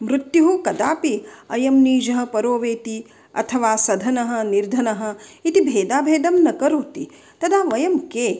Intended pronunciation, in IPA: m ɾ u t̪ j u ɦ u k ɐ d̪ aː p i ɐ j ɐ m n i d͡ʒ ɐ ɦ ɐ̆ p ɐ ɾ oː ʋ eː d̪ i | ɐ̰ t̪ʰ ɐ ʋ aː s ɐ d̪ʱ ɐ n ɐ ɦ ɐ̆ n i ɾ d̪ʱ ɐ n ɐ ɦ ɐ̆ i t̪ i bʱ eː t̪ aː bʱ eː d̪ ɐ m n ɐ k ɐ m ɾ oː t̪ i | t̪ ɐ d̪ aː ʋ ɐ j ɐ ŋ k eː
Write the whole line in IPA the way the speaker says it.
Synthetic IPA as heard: m ɾ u t̪ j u ɦ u k ɐ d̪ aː p i ɐ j ɐ m n iː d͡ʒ ɐ ɦ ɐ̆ p ɐ ɾ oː ʋ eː t̪ i | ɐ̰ t̪ʰ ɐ ʋ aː s ɐ d̪ʱ ɐ n ɐ ɦ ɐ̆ n i ɾ d̪ʱ ɐ n ɐ ɦ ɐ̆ i t̪ i bʱ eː d̪ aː bʱ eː d̪ ɐ m n ɐ k ɐ ɾ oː t̪ i | t̪ ɐ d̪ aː ʋ ɐ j ɐ m k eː